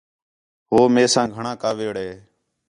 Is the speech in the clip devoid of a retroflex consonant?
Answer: no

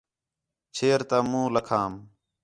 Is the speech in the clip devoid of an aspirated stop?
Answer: no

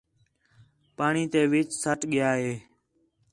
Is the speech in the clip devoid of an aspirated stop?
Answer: yes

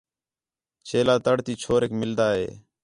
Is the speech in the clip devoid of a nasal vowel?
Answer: yes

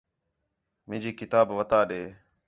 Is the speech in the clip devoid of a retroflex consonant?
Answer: yes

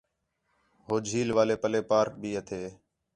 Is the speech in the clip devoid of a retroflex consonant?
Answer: yes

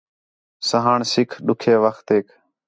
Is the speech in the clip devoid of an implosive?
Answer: no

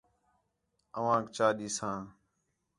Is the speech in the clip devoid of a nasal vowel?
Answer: no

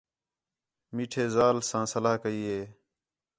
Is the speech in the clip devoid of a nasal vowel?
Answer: no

